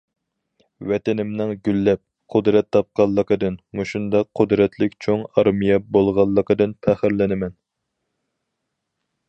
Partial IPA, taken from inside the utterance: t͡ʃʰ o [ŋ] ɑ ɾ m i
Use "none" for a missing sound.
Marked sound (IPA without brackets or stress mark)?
ŋ